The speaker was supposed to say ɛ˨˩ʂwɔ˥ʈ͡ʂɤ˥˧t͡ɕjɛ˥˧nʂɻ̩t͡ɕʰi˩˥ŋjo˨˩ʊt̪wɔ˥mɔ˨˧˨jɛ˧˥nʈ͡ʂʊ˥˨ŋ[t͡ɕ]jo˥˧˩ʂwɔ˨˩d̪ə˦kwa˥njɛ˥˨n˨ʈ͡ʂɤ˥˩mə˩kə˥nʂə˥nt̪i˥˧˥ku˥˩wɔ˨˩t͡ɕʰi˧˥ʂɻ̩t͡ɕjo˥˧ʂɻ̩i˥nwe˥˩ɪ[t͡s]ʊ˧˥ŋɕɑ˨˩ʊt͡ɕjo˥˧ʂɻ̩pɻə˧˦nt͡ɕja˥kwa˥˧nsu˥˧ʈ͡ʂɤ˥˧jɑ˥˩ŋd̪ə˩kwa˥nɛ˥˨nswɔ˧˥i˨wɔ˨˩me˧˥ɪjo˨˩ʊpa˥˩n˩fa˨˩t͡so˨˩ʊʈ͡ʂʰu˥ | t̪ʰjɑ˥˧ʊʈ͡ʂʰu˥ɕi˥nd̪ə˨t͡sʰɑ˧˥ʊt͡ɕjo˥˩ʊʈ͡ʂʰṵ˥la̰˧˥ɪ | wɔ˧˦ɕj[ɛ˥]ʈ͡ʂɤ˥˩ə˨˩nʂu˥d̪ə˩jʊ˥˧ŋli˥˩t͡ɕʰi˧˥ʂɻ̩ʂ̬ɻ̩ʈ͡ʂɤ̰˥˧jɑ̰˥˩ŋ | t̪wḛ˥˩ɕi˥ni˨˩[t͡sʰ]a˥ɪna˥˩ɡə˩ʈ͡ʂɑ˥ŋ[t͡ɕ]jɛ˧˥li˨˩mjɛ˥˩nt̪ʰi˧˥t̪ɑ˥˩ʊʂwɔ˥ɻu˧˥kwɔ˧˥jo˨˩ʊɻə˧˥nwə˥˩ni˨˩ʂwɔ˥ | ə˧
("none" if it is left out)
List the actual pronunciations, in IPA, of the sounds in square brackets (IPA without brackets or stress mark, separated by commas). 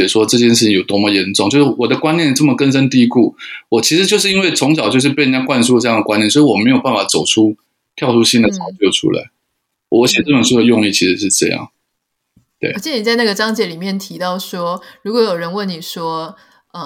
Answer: t͡ɕ, t͡sʰ, ɛ˨˩, t͡s, t͡ɕ